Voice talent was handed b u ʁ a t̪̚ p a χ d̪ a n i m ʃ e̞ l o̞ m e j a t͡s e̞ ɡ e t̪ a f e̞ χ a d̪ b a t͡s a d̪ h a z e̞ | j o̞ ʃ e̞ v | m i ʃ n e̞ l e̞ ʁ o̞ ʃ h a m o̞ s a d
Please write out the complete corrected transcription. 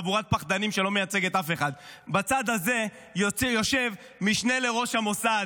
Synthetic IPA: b u ʁ a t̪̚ p a χ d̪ a n i m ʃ e̞ l o̞ m e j a t͡s e̞ ɡ e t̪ a f e̞ χ a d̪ b a t͡s a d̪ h a z e̞ | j o̞ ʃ e̞ v | m i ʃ n e̞ l e̞ ʁ o̞ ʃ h a m o̞ s a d